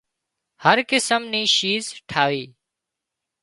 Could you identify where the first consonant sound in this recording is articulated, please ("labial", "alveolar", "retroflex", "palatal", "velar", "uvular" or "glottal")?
glottal